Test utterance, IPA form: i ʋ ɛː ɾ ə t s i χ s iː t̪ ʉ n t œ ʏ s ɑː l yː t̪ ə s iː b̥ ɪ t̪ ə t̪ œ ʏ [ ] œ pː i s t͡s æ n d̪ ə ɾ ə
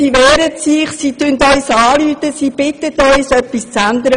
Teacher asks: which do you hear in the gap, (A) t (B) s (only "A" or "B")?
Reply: B